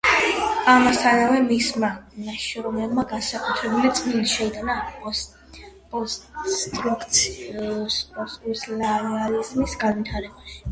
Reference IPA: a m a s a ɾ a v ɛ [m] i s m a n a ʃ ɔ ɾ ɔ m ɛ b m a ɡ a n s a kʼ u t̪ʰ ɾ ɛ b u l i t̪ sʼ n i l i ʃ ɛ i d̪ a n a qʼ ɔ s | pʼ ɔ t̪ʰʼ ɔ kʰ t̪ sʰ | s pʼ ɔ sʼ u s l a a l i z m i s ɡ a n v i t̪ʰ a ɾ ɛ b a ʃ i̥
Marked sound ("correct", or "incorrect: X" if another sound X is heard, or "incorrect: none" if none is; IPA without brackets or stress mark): correct